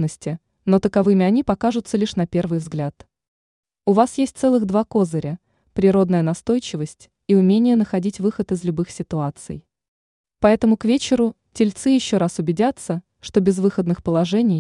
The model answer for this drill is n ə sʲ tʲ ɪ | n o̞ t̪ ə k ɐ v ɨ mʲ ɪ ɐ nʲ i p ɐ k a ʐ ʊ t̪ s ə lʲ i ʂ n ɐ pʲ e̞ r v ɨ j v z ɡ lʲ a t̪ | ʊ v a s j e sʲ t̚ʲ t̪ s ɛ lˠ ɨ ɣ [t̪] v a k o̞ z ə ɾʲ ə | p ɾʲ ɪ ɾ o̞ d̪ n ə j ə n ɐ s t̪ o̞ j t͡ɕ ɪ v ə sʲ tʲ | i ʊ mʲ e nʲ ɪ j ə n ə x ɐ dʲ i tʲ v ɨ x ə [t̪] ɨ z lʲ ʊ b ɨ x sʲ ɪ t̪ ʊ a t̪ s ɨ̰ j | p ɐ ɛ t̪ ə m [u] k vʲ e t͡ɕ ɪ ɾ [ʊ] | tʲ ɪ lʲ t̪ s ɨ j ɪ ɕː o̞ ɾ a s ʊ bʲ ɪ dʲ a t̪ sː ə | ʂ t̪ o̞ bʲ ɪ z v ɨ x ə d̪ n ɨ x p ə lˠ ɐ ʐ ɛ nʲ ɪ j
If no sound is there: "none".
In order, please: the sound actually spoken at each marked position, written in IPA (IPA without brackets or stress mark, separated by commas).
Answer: d̪, t̪, ʊ, ʊ